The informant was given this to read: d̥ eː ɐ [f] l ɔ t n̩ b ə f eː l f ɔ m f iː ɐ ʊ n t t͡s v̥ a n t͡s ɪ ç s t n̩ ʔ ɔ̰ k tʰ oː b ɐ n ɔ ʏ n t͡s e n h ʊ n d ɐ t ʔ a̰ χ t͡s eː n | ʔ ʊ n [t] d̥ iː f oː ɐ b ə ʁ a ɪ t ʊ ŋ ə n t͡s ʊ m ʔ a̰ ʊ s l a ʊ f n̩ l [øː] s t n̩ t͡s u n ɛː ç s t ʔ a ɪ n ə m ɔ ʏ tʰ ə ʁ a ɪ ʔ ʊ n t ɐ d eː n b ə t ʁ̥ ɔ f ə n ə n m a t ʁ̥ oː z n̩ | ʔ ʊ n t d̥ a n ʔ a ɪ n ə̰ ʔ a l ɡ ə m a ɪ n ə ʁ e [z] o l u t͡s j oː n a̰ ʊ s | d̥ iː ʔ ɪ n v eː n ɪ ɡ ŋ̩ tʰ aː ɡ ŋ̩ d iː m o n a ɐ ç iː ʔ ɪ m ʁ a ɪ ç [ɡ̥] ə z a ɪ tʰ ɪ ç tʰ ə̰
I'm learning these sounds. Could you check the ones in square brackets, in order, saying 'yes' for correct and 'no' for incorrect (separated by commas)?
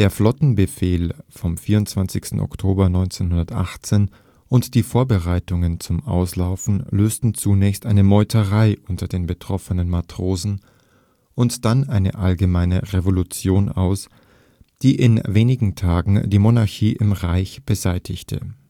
yes, yes, yes, no, no